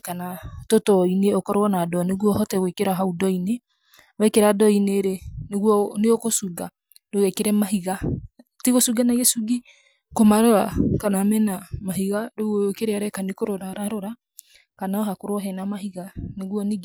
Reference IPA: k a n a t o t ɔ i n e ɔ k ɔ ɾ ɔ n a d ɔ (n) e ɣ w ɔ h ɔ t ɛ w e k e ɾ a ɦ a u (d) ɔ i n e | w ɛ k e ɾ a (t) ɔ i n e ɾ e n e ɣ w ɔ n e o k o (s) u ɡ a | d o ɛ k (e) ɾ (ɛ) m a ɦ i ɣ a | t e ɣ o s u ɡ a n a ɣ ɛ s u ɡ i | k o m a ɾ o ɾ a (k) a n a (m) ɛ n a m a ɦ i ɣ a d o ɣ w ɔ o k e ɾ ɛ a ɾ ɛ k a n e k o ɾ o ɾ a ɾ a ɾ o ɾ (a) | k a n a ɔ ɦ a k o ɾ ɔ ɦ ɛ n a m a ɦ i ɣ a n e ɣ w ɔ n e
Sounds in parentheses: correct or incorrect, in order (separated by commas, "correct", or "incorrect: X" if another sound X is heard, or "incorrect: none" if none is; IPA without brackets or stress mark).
correct, correct, incorrect: d, correct, correct, correct, correct, correct, correct